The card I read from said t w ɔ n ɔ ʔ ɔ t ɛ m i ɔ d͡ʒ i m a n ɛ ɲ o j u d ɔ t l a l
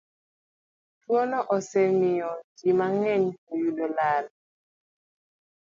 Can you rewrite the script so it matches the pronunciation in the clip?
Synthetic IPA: t w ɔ n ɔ ʔ ɔ s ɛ m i ɔ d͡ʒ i m a ŋ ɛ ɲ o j u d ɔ l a l

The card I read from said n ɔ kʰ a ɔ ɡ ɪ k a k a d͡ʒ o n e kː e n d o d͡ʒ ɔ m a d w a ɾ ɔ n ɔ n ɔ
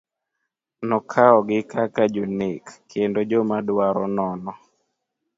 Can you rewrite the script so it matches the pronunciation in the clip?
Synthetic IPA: n ɔ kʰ a ɔ ɡ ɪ k a k a d͡ʒ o n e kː e n d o d͡ʒ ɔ m a d w a ɾ ɔ n ɔ n ɔ

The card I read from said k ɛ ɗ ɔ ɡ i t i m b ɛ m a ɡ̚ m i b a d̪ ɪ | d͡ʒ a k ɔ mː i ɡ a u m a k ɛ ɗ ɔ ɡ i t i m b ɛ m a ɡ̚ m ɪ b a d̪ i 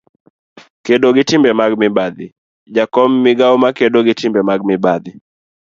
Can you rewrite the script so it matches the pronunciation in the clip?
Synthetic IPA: k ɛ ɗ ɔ ɡ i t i m b ɛ m a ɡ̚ m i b a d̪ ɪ | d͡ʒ a k ɔ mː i ɡ a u m a k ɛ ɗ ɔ ɡ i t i m b ɛ m a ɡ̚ m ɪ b a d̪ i

